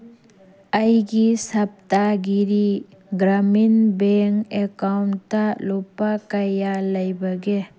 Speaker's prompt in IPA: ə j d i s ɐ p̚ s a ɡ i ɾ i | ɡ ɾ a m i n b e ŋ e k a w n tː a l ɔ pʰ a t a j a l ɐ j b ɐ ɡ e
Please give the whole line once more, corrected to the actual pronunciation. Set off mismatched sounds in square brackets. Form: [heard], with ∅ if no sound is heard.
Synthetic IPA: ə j [ɡ] i s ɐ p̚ [t] a ɡ i ɾ i | ɡ ɾ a m i n b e ŋ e k a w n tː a l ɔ [p] a [k] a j a l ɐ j b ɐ ɡ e

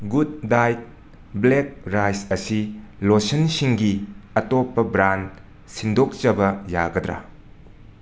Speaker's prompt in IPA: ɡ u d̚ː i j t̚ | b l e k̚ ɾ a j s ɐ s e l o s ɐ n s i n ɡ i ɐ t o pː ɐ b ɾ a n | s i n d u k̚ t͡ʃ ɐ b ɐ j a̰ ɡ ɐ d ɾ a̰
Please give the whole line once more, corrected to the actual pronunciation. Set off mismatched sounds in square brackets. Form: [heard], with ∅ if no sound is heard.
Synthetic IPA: ɡ u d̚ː [a] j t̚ | b l e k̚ ɾ a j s ɐ s [i] l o s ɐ n s i [ŋ] ɡ i ɐ t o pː ɐ b ɾ a n | s i n d [o] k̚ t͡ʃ ɐ b ɐ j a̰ ɡ ɐ d ɾ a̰

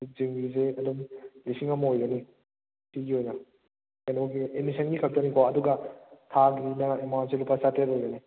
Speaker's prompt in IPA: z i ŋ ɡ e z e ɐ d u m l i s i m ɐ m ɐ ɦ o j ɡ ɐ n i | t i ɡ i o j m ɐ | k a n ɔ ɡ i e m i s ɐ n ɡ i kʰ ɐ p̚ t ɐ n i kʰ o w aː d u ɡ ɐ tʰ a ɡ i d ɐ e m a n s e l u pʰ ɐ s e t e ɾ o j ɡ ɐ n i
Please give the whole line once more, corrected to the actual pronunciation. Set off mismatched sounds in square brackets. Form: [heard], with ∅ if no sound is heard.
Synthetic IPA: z i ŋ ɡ [i] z e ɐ d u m l i s i [ŋ] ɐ m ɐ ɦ o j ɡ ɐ n i | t i ɡ i o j [n] ɐ | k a n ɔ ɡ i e m i s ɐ n ɡ i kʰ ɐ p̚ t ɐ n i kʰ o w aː d u ɡ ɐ tʰ a ɡ i [n] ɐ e m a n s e l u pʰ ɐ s [a] t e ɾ o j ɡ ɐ n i

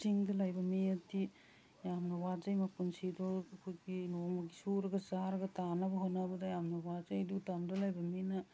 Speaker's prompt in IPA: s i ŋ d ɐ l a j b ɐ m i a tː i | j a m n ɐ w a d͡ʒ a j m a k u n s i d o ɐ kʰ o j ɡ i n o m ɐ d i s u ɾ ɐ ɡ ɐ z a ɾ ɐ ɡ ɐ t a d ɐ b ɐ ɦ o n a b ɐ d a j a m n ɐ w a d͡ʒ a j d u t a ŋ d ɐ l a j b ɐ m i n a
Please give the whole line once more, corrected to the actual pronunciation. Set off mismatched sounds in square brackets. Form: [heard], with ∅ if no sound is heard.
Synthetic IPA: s i ŋ d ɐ l a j b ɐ m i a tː i | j a m n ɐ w a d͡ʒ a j m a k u n s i d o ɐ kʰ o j ɡ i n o m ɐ [ɡ] i s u ɾ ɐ ɡ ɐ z a ɾ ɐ ɡ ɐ t a [n] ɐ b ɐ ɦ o n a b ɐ d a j a m n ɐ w a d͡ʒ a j d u t a [m] d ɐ l a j b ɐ m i n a

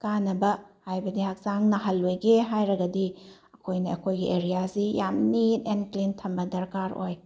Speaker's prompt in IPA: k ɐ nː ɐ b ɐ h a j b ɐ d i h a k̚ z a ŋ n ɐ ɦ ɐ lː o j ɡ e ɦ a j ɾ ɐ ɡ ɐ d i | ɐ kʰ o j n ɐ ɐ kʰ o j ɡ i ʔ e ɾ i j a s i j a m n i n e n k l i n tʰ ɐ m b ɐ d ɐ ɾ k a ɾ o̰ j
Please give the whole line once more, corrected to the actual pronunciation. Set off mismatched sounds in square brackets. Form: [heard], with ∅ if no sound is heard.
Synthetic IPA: k [a] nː ɐ b ɐ h a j b ɐ d i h a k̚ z a ŋ n ɐ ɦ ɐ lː o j ɡ e ɦ a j ɾ ɐ ɡ ɐ d i | ɐ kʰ o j n ɐ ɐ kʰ o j ɡ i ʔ e ɾ i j a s i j a m n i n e n k l i n tʰ ɐ m b ɐ d ɐ ɾ k a ɾ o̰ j

